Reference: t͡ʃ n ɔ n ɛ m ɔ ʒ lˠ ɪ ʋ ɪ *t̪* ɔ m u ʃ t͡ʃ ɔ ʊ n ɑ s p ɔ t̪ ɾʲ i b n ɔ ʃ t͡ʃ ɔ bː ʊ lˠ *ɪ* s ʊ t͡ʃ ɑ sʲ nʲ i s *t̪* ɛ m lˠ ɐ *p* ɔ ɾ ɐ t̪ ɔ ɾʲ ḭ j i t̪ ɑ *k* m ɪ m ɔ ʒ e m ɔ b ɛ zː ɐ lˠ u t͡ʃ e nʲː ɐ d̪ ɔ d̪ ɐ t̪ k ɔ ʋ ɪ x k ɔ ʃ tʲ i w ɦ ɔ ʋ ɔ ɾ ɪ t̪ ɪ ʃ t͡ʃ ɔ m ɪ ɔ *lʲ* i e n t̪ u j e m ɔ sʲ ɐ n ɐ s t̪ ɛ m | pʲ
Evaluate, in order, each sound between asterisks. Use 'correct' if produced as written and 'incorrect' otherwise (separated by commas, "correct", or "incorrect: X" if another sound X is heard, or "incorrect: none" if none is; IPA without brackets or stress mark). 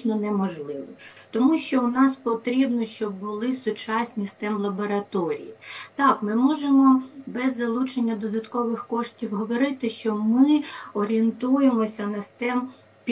correct, correct, correct, incorrect: b, correct, incorrect: ɾʲ